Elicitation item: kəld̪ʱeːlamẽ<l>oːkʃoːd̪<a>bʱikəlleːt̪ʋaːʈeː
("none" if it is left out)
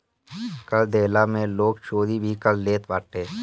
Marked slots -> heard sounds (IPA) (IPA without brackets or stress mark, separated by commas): l, i